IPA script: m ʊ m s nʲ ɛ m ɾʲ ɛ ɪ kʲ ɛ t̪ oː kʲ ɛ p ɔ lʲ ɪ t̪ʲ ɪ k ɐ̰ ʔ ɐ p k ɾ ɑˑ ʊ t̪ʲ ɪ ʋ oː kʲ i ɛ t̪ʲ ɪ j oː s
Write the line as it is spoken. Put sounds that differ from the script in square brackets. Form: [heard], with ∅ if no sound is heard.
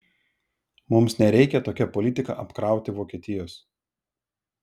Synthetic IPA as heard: m ʊ m s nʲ ɛ [∅] ɾʲ ɛ ɪ kʲ ɛ t̪ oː kʲ ɛ p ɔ lʲ ɪ t̪ʲ ɪ k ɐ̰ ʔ ɐ p k ɾ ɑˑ ʊ t̪ʲ ɪ ʋ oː kʲ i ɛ t̪ʲ ɪ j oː s